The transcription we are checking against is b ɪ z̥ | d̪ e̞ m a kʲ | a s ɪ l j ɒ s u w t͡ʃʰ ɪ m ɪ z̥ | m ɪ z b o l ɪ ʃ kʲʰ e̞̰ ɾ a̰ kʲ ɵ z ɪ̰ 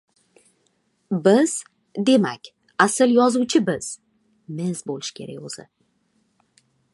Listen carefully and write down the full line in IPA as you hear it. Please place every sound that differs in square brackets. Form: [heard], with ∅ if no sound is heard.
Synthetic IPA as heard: b ɪ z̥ | d̪ e̞ m a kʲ | a s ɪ l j ɒ [z] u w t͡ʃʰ ɪ [b] ɪ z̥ | m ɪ z b o l ɪ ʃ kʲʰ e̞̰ ɾ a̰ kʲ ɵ z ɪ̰